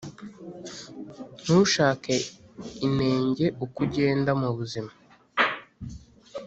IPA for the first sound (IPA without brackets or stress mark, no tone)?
n̥